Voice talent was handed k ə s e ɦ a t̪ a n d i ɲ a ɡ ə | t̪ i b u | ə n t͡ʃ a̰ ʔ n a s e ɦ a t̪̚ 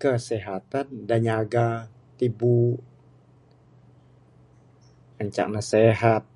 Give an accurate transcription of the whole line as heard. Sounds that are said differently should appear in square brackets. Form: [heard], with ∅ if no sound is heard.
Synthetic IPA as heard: k ə s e ɦ a t̪ a n d [a] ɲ a ɡ [a] | t̪ i b u | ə [ɲ] t͡ʃ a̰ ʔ n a s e ɦ a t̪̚